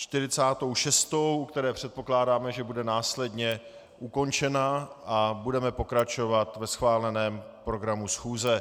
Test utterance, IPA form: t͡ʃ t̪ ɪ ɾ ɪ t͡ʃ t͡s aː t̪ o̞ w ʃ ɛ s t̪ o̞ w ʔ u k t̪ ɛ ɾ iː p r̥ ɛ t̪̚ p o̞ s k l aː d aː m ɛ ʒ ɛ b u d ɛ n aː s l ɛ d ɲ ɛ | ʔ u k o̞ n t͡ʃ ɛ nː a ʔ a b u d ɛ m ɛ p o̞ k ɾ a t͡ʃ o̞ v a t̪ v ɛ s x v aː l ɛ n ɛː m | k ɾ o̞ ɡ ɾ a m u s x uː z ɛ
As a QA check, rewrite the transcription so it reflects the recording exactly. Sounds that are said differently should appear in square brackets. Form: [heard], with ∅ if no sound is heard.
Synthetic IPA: t͡ʃ t̪ ɪ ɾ ɪ [∅] t͡s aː t̪ o̞ w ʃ ɛ s t̪ o̞ w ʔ u k t̪ ɛ ɾ [ɛː] p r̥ ɛ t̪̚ p o̞ [∅] k l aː d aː m ɛ ʒ ɛ b u d ɛ n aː s l ɛ d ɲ ɛ | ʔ u k o̞ n t͡ʃ ɛ [n] a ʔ a b u d ɛ m ɛ p o̞ k ɾ a t͡ʃ o̞ v a t̪ v ɛ s x v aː l ɛ n ɛː m | [p] ɾ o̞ ɡ ɾ a m u s x uː z ɛ